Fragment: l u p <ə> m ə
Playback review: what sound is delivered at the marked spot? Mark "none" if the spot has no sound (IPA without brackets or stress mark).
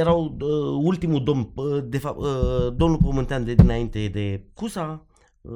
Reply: ə